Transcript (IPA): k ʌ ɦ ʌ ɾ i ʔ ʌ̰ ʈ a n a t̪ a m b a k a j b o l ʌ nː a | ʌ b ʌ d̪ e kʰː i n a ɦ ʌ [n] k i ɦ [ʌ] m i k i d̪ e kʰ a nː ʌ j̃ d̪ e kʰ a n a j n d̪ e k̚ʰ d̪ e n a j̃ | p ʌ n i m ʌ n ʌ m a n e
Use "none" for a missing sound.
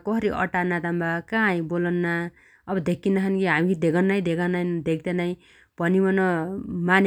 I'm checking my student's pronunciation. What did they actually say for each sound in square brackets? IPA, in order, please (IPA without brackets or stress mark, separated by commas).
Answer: n, a